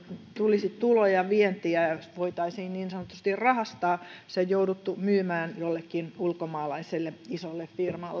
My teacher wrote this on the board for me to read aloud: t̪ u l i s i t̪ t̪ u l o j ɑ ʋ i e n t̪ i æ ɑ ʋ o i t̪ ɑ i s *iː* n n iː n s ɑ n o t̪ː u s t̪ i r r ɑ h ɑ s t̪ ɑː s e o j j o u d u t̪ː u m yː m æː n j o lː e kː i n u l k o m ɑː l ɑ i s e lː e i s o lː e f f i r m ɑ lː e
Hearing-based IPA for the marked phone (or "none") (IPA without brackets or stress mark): iː